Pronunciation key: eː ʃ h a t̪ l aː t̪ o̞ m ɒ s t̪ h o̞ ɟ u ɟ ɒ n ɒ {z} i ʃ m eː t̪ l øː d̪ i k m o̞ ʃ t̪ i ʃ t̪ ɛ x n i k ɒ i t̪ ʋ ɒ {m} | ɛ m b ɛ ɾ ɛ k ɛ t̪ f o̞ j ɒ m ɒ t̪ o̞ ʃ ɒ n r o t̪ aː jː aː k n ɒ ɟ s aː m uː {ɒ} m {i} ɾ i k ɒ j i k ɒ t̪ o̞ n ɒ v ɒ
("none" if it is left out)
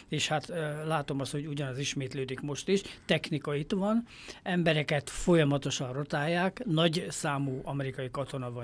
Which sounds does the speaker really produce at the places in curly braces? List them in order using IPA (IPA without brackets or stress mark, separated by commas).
z, n, ɒ, ɛ